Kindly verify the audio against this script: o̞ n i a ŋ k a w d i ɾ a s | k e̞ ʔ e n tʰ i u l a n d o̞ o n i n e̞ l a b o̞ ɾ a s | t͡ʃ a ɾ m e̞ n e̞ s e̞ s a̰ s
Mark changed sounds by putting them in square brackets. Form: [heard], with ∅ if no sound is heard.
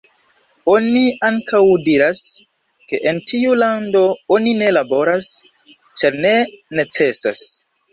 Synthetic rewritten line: o̞ n i a ŋ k a w d i ɾ a s | k e̞ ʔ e n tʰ i u l a n d o̞ o n i n e̞ l a b o̞ ɾ a s | t͡ʃ a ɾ [n] e̞ n e̞ [t͡s] e̞ s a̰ s